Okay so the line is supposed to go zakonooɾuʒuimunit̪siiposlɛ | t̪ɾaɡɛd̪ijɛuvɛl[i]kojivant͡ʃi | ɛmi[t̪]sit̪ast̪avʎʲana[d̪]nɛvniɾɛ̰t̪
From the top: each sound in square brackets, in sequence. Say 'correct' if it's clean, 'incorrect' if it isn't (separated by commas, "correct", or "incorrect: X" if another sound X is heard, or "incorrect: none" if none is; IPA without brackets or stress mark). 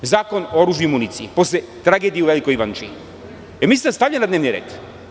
correct, incorrect: none, correct